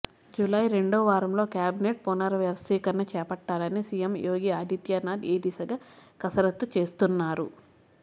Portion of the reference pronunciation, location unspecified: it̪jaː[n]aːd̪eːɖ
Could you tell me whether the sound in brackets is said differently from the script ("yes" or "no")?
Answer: no